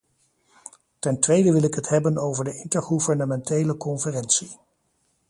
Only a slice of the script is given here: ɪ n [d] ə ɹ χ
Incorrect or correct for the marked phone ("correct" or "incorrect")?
incorrect